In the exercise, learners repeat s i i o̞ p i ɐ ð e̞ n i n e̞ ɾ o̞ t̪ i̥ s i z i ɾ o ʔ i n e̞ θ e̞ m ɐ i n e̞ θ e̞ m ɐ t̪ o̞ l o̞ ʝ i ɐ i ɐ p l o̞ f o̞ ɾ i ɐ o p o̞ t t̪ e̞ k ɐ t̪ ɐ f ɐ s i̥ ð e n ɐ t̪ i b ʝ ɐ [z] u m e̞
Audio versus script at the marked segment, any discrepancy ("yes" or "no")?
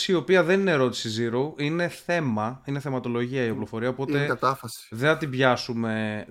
yes